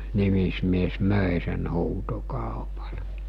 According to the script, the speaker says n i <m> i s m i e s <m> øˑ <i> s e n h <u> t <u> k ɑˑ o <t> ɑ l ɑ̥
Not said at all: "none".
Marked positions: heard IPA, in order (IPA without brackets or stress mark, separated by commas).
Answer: m, m, e, uː, o, p